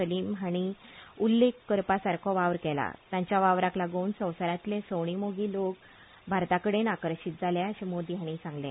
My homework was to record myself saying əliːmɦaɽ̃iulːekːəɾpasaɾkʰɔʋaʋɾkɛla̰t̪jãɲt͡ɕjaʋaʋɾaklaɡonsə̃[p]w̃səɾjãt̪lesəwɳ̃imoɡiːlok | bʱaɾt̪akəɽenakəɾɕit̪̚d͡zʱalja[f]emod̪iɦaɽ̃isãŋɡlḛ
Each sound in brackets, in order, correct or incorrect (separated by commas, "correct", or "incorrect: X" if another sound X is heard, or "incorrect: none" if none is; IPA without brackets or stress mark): incorrect: none, incorrect: ɕ